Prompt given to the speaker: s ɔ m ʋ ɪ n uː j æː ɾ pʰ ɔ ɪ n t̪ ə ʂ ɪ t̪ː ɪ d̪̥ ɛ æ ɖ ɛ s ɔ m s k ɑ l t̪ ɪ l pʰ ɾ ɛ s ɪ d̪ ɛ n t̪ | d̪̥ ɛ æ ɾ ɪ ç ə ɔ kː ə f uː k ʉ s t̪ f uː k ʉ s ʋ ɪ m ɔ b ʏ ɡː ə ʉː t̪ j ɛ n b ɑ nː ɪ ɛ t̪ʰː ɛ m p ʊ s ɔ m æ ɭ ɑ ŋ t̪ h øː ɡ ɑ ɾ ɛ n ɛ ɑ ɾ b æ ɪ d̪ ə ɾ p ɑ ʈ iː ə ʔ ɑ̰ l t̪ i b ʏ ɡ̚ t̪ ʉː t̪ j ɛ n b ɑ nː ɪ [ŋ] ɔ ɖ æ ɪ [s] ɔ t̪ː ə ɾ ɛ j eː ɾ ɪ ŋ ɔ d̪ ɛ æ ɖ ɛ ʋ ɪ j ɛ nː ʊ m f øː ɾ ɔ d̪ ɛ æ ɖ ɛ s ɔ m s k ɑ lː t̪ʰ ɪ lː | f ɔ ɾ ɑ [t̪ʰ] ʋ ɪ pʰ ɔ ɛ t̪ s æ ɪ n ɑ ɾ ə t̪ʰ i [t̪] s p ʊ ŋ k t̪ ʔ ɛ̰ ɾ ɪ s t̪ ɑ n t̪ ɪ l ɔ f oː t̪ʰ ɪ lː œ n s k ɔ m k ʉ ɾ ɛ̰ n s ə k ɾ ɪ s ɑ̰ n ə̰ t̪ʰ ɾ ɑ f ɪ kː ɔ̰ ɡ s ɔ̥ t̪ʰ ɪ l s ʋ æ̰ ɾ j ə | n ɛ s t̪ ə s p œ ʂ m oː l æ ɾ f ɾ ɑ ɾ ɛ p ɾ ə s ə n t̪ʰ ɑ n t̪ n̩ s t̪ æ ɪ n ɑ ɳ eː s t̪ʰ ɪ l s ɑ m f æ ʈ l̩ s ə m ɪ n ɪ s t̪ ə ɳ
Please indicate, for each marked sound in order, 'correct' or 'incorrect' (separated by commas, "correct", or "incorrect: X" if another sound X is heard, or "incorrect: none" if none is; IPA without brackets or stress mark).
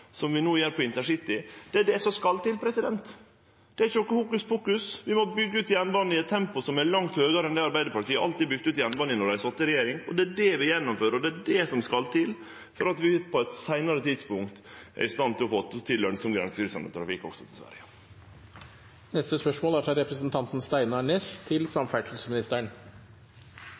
incorrect: n, correct, incorrect: t̪, incorrect: d̪